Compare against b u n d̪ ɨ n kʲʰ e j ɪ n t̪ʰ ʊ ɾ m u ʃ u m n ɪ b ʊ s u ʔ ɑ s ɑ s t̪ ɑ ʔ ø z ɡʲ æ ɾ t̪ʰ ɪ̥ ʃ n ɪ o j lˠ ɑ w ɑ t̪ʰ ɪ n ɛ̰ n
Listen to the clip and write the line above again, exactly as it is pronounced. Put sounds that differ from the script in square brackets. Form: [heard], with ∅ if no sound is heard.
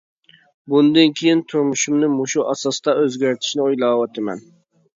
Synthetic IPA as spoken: b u n d̪ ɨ n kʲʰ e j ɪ n t̪ʰ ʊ ɾ m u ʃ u m n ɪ [m] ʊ [ʃ] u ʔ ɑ s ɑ s t̪ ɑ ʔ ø z ɡʲ æ ɾ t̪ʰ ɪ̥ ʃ n ɪ o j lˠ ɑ w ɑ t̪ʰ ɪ [m] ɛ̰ n